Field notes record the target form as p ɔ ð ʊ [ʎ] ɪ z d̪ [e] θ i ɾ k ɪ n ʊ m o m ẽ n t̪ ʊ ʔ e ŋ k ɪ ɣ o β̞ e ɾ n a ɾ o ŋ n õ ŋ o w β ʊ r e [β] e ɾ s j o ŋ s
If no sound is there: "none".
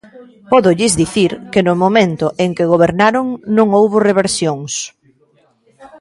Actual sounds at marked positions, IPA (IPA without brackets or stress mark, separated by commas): ʎ, i, β